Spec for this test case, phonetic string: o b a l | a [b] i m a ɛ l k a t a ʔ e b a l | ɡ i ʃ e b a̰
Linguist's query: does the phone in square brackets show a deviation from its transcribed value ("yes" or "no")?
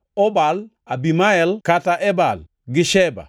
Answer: no